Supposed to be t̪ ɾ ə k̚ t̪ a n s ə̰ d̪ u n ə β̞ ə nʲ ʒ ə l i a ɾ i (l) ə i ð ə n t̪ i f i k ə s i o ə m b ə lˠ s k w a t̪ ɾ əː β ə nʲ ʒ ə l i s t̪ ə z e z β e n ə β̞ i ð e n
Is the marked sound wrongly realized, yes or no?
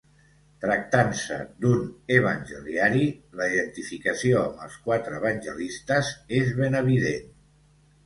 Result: no